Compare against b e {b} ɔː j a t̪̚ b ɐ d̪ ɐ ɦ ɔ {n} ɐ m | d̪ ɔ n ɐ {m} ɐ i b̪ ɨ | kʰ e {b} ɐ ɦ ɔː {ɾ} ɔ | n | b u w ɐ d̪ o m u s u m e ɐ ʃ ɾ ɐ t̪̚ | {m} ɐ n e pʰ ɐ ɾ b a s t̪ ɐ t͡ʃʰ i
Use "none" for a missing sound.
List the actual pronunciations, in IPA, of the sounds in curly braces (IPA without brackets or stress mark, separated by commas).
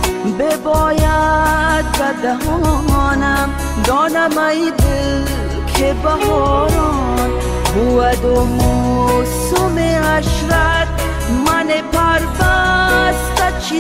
b, n, m, b, ɾ, m